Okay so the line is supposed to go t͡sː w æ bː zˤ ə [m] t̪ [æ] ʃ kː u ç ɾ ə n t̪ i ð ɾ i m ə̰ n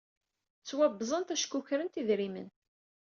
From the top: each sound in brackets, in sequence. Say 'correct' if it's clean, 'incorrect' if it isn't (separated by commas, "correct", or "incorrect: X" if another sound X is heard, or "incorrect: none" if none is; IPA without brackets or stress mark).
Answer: incorrect: n, correct